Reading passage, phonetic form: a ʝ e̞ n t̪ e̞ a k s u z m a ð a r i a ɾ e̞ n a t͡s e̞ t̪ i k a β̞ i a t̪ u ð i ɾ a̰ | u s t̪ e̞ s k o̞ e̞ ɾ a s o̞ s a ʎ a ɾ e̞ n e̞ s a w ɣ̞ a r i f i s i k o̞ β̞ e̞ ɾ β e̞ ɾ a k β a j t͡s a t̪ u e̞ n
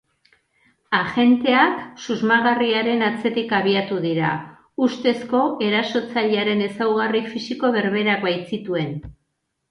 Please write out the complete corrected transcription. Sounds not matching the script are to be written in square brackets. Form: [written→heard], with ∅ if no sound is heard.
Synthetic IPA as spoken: a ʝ e̞ n t̪ e̞ a k s u z m a [ð→ɣ] a r i a ɾ e̞ n a t͡s e̞ t̪ i k a β̞ i a t̪ u ð i ɾ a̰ | u s t̪ e̞ s k o̞ e̞ ɾ a s o̞ [s→t͡s] a ʎ a ɾ e̞ n e̞ s a w ɣ̞ a r i f i s i k o̞ β̞ e̞ ɾ β e̞ ɾ a k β a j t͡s [a→i] t̪ u e̞ n